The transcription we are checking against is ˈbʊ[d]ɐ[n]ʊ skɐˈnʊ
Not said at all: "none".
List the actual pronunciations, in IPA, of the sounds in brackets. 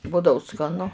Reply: d, none

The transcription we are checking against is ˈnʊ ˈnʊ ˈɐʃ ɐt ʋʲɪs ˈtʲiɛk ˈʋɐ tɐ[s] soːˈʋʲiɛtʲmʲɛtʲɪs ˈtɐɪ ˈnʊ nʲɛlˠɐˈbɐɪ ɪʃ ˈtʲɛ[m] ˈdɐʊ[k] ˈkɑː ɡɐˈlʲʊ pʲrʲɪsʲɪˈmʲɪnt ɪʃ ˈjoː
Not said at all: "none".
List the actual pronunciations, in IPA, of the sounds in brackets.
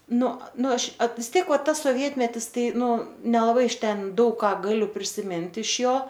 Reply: s, n, k

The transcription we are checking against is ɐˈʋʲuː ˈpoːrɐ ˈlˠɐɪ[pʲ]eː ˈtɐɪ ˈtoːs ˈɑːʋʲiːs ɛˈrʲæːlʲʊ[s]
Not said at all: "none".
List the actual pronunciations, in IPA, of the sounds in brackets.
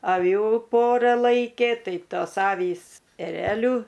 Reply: kʲ, none

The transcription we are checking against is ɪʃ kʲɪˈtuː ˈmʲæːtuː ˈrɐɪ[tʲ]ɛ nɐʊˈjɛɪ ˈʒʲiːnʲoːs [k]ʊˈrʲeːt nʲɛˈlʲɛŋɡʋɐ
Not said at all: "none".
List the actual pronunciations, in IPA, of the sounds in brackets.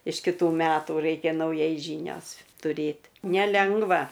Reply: kʲ, t

